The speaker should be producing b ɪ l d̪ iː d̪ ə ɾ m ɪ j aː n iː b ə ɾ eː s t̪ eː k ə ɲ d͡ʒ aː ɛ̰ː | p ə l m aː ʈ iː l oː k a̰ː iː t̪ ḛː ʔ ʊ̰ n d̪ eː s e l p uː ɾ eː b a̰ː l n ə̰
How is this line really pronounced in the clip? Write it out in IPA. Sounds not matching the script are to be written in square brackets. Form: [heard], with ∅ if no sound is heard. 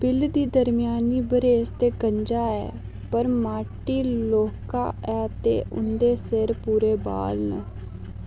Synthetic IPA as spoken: b ɪ l d̪ iː d̪ ə ɾ m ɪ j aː n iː b ə ɾ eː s t̪ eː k ə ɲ d͡ʒ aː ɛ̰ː | p ə [ɾ] m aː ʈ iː l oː k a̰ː [ɛː] t̪ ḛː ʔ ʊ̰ n d̪ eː s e [ɾ] p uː ɾ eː b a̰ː l n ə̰